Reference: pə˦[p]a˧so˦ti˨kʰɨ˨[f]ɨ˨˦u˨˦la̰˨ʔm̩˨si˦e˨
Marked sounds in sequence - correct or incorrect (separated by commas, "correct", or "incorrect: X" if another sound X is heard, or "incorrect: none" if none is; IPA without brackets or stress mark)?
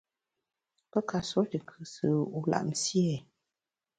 incorrect: k, incorrect: s